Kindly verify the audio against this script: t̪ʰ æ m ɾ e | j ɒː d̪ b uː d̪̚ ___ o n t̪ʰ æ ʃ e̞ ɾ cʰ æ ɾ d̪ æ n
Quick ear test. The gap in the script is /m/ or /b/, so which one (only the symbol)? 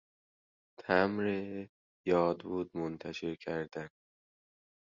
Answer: m